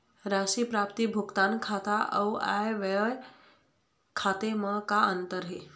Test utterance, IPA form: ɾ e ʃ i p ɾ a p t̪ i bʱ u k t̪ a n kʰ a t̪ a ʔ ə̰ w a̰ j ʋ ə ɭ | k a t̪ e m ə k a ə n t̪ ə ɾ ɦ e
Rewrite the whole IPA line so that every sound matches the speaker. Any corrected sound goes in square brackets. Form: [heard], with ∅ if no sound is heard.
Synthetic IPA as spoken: ɾ [a] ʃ i p ɾ a p t̪ i bʱ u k t̪ a n kʰ a t̪ a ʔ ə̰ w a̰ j ʋ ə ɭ | [kʰ] a t̪ e m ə k a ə n t̪ ə ɾ ɦ e